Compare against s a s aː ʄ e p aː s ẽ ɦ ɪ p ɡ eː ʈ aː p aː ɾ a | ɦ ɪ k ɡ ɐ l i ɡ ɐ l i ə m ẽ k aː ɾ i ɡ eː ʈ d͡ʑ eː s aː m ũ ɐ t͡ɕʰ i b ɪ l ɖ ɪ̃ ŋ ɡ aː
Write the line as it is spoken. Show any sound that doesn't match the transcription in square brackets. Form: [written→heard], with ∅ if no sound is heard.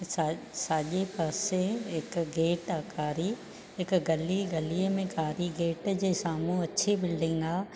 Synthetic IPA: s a s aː ʄ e p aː s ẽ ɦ ɪ [p→k] ɡ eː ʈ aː [p→k] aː ɾ [a→i] | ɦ ɪ k ɡ ɐ l i ɡ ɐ l i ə m ẽ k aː ɾ i ɡ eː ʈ d͡ʑ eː s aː m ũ ɐ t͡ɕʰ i b ɪ l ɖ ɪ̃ ŋ ɡ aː